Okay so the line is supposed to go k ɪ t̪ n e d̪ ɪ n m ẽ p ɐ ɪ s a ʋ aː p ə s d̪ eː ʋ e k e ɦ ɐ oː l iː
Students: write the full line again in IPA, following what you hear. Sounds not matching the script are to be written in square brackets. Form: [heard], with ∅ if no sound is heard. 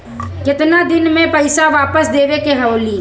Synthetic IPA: k ɪ t̪ n [a] d̪ ɪ n m ẽ p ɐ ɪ s a ʋ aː p ə s d̪ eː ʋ e k e ɦ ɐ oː l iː